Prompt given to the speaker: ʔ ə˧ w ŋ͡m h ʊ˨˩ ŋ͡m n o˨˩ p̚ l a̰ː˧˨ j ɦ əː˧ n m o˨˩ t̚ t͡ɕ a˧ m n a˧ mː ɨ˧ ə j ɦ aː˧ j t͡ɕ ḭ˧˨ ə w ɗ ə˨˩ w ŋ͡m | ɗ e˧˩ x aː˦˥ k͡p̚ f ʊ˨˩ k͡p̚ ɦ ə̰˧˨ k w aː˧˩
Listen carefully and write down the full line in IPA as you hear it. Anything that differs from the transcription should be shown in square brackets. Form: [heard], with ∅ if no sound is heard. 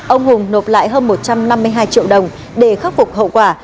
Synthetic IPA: ʔ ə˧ w ŋ͡m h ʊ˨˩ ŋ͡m n o˨˩ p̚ l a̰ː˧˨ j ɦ əː˧ n m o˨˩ t̚ t͡ɕ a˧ m n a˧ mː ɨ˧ ə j ɦ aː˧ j t͡ɕ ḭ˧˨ ə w ɗ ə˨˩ w ŋ͡m | ɗ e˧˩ x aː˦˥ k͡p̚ f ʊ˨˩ k͡p̚ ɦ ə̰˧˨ k w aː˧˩